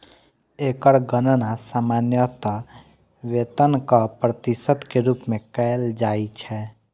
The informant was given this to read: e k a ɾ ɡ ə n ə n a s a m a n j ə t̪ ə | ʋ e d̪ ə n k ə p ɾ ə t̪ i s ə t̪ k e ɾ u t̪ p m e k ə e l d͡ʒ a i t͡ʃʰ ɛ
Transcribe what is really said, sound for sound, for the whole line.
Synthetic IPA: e k ə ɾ ɡ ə n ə n a s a m a n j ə t̪ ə | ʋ e t̪ ə n k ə p ɾ ə t̪ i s ə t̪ k e ɾ u p m e k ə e l d͡ʒ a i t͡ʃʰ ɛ